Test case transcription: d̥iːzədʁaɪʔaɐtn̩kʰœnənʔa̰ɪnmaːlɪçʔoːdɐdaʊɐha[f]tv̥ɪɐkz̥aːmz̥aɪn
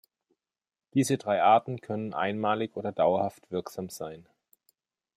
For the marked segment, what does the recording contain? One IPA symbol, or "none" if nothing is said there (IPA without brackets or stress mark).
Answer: f